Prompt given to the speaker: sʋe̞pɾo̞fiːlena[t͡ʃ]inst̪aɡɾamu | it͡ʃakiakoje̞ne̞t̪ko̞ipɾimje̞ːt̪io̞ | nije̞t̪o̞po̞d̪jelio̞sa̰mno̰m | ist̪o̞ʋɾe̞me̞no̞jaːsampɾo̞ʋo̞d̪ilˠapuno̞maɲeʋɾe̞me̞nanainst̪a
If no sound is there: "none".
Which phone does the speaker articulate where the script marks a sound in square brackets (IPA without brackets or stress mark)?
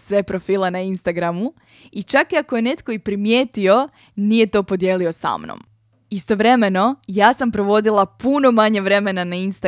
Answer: none